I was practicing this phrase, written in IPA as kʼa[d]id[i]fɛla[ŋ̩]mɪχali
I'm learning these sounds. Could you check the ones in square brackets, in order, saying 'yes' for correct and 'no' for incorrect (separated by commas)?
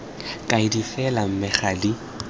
no, yes, no